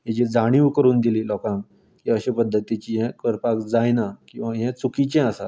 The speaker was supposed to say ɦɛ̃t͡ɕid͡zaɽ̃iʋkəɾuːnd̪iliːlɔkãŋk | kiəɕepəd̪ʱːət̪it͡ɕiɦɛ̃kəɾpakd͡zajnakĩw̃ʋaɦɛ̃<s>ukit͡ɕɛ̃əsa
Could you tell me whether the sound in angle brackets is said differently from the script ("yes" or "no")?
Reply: yes